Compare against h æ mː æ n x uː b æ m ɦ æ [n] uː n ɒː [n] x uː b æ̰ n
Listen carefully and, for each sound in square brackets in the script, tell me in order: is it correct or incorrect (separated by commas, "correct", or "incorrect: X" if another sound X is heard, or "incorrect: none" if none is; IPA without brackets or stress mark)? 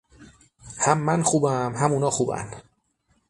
incorrect: m, incorrect: none